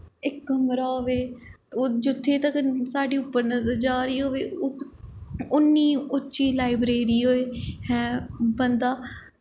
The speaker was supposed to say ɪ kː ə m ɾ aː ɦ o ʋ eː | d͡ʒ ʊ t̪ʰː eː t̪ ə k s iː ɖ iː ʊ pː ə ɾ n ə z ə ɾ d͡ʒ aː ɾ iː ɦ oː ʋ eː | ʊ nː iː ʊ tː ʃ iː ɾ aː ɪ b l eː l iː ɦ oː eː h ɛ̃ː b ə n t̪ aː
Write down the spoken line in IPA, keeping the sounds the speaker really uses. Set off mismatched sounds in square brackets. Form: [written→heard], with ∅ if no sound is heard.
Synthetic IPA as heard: ɪ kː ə m ɾ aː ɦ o ʋ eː | d͡ʒ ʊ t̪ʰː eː t̪ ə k s [iː→aː] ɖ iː ʊ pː ə ɾ n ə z ə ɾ d͡ʒ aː ɾ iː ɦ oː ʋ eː | ʊ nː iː ʊ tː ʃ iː [ɾ→l] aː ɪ b [l→ɾ] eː [l→ɾ] iː ɦ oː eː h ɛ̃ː b ə n [t̪→d̪] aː

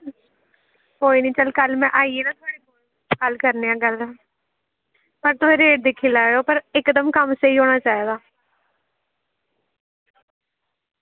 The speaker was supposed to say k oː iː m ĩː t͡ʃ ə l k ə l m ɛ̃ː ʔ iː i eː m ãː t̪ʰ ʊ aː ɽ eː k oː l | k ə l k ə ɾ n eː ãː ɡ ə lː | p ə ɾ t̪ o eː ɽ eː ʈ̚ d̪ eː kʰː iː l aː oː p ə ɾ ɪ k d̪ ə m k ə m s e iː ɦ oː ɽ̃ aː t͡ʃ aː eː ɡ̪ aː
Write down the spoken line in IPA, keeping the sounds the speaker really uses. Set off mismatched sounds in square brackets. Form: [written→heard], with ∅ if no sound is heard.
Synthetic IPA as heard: k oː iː [m→n] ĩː t͡ʃ ə l k ə l m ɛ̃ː ʔ [iː→aː] i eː [m→n] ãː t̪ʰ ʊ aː ɽ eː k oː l | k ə l k ə ɾ n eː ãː ɡ ə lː | p ə ɾ t̪ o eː [ɽ→ɾ] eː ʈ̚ d̪ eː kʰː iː l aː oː p ə ɾ ɪ k d̪ ə m k ə m s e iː ɦ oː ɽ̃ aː t͡ʃ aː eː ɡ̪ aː

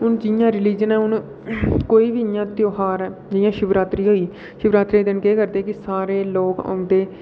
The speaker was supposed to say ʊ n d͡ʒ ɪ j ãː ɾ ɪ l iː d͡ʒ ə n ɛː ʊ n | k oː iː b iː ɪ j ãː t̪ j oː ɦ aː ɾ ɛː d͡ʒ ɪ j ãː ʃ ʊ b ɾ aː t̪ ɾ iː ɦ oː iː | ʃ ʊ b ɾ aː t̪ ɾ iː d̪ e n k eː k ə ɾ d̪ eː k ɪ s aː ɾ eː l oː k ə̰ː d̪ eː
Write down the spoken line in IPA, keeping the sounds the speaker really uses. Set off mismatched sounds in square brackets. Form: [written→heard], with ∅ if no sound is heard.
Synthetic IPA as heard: ʊ n d͡ʒ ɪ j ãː ɾ ɪ l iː d͡ʒ ə n ɛː ʊ n | k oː iː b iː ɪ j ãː t̪ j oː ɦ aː ɾ ɛː d͡ʒ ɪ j ãː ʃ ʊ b ɾ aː t̪ ɾ iː ɦ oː iː | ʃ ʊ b ɾ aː t̪ ɾ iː d̪ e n k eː k ə ɾ d̪ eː k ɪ s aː ɾ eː l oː k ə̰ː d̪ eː

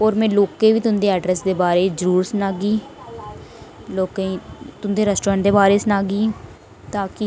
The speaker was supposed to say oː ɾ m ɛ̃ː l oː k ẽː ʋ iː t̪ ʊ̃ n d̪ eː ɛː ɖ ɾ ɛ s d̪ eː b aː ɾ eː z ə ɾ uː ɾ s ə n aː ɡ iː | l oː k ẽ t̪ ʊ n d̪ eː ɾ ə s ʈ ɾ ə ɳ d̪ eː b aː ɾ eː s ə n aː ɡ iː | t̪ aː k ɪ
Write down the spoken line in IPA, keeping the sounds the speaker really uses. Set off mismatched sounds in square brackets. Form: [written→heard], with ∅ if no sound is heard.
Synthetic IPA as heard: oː ɾ m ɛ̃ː l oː k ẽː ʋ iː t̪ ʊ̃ n d̪ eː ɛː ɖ ɾ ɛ s d̪ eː b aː ɾ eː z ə ɾ uː ɾ s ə n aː ɡ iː | l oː k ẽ t̪ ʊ n d̪ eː ɾ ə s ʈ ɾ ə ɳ d̪ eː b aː ɾ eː s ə n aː ɡ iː | t̪ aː k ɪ

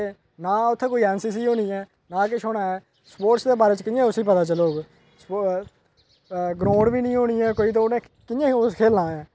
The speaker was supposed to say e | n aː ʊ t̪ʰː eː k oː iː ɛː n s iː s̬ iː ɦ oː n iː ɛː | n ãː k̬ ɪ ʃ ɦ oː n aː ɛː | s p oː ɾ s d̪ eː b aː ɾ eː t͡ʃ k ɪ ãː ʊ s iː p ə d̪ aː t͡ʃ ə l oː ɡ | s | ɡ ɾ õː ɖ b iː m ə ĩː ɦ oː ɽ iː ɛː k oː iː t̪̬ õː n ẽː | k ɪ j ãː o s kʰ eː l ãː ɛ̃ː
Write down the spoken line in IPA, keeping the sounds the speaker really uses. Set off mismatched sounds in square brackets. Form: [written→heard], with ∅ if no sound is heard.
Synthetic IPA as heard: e | n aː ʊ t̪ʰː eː k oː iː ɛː n s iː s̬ iː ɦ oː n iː ɛː | n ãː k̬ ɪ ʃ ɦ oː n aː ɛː | s p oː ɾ s d̪ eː b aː ɾ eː t͡ʃ k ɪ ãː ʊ s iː p ə [d̪→t̪] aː t͡ʃ ə l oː ɡ | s | ɡ ɾ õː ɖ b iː [m→n] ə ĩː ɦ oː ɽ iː ɛː k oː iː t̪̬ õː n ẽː | k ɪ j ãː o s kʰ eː l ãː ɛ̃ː

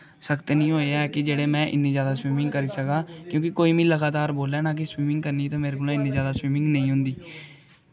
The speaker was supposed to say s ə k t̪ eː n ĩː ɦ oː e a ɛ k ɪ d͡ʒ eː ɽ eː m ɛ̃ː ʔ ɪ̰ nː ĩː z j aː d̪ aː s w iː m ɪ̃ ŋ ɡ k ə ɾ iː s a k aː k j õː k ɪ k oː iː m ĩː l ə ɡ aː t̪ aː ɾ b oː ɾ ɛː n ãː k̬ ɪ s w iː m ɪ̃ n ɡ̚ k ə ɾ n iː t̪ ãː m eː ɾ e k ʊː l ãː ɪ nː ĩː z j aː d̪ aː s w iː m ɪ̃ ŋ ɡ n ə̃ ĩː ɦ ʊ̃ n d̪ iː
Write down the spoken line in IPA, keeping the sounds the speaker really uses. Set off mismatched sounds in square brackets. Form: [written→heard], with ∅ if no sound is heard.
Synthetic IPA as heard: s ə k t̪ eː n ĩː ɦ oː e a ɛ k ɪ d͡ʒ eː ɽ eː m ɛ̃ː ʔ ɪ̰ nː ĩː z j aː d̪ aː s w iː m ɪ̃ ŋ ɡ k ə ɾ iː s [a→ə] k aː k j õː k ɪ k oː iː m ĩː l ə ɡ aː t̪ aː ɾ b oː [ɾ→l] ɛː n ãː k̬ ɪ s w iː m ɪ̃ [n→ŋ] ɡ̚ k ə ɾ n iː t̪ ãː m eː ɾ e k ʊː l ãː ɪ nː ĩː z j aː d̪ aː s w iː m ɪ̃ ŋ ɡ n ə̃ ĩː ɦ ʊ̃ n d̪ iː

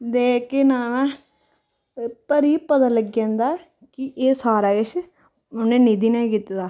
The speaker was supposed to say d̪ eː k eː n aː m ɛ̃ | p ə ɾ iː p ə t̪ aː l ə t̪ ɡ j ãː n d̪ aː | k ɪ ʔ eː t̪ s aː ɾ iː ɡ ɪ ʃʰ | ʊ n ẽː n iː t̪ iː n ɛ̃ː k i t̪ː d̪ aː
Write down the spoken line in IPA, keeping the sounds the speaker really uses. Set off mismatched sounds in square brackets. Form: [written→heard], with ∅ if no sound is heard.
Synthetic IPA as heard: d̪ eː k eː n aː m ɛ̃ | p ə ɾ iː p ə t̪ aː l ə [t̪→∅] ɡ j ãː n d̪ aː | k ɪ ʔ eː [t̪→∅] s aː ɾ [iː→aː] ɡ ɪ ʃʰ | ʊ n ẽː n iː [t̪→d̪] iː n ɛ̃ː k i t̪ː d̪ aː

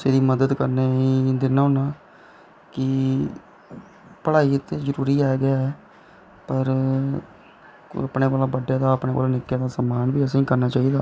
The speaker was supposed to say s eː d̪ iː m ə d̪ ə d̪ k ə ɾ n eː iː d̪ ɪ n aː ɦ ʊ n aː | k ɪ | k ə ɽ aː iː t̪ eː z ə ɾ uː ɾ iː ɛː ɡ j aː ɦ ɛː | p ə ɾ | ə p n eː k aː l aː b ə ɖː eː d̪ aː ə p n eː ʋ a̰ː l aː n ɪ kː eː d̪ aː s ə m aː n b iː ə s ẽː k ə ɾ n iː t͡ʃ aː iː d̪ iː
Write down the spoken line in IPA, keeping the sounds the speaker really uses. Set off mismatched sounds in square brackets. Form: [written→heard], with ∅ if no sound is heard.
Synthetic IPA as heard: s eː d̪ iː m ə d̪ ə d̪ k ə ɾ n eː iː d̪ ɪ n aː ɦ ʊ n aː | k ɪ | [k→p] ə ɽ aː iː t̪ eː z ə ɾ uː ɾ iː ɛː ɡ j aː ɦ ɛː | p ə ɾ | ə p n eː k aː l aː b ə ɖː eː d̪ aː ə p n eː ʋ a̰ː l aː n ɪ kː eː d̪ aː s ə m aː n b iː ə s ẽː k ə ɾ n [iː→aː] t͡ʃ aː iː d̪ [iː→aː]

